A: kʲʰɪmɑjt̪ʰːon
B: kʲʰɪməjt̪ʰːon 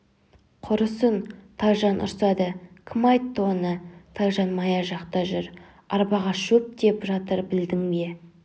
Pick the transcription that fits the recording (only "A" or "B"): A